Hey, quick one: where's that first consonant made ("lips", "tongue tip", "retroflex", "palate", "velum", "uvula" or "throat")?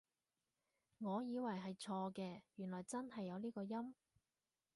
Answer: velum